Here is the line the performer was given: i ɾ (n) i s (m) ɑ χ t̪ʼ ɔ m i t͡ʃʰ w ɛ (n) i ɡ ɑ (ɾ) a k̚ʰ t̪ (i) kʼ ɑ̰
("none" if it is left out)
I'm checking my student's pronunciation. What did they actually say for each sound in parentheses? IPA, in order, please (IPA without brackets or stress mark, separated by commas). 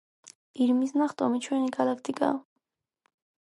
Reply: m, n, n, l, i